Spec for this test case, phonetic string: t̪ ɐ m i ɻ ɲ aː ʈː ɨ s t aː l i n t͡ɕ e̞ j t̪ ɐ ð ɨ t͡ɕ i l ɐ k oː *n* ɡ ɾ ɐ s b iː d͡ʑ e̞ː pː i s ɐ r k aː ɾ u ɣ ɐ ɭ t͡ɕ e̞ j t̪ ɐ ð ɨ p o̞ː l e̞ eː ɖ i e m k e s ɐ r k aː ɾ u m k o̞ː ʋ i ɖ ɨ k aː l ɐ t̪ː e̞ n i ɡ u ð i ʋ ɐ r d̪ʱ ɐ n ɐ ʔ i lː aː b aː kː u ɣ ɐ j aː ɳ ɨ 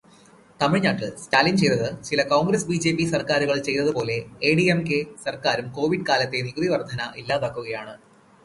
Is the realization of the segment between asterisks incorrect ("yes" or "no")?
yes